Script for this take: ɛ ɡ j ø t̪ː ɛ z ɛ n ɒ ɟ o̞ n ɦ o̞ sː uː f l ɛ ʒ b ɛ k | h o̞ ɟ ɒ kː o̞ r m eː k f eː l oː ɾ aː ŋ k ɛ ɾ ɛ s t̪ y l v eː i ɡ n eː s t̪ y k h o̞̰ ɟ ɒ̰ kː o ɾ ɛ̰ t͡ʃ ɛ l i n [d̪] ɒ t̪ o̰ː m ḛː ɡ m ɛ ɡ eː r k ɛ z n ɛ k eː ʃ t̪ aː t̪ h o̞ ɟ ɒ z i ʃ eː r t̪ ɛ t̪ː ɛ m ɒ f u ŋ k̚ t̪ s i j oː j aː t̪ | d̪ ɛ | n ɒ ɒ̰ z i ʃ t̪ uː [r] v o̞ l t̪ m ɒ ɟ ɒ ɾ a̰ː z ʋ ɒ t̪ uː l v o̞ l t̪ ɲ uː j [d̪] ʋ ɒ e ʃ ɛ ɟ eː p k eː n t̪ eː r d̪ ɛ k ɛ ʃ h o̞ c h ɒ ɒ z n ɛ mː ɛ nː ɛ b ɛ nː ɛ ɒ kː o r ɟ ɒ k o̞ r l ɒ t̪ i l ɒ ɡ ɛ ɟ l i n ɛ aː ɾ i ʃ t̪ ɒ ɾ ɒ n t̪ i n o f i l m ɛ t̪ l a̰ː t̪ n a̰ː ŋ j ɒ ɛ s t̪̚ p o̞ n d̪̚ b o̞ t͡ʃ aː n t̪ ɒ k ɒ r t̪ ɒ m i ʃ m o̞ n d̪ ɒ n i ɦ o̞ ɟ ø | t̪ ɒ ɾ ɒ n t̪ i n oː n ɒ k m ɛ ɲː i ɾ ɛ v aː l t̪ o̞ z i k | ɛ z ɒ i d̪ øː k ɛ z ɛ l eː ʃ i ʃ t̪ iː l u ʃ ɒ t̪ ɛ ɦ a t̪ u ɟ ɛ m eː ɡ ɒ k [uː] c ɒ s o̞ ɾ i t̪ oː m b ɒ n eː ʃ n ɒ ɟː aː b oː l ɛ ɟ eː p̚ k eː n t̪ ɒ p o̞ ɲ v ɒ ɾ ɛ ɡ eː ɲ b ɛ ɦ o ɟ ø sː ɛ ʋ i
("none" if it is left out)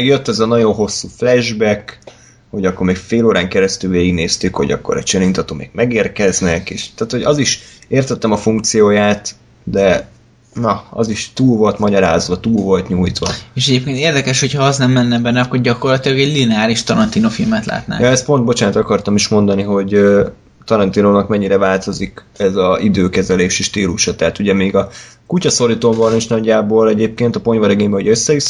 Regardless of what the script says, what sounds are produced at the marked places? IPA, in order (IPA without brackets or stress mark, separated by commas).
t̪, l, t̪, u